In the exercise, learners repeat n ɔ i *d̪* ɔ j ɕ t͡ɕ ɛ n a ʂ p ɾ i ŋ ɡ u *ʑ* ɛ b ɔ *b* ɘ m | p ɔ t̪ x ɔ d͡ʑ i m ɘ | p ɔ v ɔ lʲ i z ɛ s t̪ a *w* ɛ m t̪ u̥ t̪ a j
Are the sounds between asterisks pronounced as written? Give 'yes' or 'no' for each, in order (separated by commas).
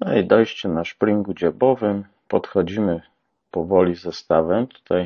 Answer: yes, no, no, no